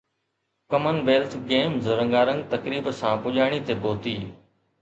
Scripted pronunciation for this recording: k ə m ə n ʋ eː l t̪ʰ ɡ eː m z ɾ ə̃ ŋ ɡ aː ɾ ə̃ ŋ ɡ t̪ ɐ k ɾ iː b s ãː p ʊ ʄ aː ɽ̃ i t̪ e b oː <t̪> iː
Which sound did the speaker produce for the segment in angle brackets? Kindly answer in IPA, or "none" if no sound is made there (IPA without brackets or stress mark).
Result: t̪